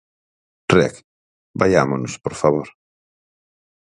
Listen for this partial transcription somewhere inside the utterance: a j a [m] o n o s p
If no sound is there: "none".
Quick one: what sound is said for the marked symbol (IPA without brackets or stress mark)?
m